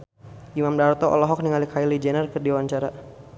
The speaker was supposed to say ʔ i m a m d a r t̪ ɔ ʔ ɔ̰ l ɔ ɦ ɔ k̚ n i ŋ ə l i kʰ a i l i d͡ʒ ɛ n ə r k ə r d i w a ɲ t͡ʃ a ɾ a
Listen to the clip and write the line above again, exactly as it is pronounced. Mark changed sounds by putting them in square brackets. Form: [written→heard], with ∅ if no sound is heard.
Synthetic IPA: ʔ i m a m d a r t̪ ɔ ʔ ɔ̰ l ɔ ɦ ɔ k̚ n i ŋ [ə→a] l i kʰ a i l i d͡ʒ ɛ n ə r k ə r d i w a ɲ t͡ʃ a ɾ a